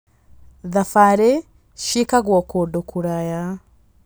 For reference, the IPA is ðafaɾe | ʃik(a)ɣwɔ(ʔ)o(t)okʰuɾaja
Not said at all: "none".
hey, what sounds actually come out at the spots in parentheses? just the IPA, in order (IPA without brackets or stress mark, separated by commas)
a, k, d